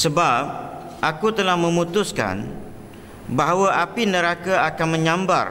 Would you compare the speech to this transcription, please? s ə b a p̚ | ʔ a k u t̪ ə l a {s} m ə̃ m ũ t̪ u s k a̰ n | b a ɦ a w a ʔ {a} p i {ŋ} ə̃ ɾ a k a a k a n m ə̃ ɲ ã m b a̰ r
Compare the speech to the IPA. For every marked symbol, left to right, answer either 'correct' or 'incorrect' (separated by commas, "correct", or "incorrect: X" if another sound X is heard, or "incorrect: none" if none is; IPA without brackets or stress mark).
incorrect: h, correct, incorrect: n